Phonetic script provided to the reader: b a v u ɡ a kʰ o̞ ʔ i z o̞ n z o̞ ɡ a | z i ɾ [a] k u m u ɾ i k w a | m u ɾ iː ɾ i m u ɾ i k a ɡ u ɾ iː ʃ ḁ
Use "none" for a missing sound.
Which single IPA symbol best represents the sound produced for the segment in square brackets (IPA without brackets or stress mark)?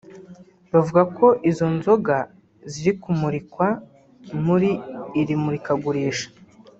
i